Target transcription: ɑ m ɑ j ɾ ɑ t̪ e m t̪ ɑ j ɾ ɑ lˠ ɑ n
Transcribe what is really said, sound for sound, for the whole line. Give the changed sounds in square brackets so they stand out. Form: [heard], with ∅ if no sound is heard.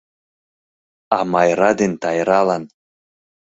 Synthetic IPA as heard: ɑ m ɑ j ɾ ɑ [d̪] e [n] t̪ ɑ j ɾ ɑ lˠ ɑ n